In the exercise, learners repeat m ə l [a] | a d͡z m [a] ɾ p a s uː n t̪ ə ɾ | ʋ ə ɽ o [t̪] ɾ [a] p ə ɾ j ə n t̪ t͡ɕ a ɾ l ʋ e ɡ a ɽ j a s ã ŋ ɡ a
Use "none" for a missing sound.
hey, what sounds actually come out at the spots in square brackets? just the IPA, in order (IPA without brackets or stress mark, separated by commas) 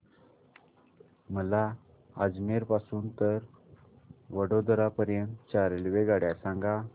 a, e, d̪, a